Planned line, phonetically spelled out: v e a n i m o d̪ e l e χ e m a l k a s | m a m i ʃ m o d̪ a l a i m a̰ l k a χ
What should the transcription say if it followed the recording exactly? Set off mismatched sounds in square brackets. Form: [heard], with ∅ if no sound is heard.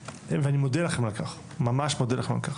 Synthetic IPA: v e a n i m o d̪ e l [a] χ e m a l k a [χ] | m a m [a] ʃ m o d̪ [e] l a [e] m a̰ l k a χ